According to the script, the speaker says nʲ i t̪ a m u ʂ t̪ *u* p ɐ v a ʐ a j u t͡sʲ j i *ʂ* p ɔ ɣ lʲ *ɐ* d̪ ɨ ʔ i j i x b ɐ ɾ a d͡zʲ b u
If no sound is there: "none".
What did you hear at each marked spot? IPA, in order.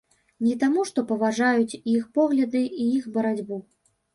ɔ, x, ɐ

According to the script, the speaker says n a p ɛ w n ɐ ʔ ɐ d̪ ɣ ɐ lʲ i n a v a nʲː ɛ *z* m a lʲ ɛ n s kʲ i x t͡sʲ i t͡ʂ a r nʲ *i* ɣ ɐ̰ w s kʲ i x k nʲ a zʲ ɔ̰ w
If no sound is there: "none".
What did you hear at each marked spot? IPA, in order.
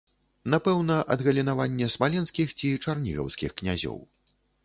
s, i

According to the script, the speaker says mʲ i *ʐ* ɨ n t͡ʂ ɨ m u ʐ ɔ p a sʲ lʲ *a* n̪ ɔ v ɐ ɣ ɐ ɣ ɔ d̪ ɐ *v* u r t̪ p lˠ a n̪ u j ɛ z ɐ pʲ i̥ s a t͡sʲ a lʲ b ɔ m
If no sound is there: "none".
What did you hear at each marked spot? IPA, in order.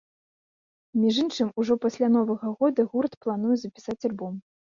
ʐ, a, ɣ

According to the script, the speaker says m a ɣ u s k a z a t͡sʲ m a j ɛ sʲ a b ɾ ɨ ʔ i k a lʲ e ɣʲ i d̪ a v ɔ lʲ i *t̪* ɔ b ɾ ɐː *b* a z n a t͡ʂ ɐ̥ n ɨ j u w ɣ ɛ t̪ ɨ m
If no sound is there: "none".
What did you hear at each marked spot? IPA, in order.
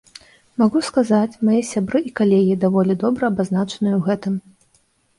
d̪, b

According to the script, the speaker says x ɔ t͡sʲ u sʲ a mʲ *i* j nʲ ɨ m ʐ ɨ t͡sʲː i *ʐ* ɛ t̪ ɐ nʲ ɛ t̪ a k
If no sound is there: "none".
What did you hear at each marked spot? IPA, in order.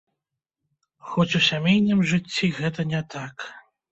e, ɣ

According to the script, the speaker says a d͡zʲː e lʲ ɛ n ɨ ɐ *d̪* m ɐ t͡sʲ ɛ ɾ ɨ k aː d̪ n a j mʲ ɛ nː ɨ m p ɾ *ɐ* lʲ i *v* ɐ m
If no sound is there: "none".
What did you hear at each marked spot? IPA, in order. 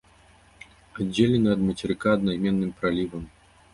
d̪, a, v

